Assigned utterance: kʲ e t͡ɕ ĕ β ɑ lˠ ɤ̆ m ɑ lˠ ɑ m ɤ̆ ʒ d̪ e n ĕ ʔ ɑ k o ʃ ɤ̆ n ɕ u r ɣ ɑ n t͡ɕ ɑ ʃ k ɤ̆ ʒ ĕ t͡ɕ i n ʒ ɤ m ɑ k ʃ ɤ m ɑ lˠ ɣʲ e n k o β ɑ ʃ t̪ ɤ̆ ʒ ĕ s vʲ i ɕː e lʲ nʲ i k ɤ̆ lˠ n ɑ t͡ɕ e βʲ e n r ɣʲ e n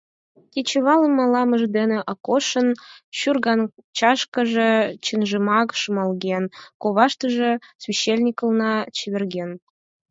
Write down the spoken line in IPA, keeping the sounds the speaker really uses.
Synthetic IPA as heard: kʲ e t͡ɕ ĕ β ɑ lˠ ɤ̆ m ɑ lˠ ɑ m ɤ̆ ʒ d̪ e n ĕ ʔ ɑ k o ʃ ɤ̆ n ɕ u r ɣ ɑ n t͡ɕ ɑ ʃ k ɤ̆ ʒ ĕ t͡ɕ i n ʒ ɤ m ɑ k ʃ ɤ m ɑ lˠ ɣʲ e n k o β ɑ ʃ t̪ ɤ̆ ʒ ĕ s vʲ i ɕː e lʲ nʲ i k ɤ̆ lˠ n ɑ t͡ɕ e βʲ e r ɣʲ e n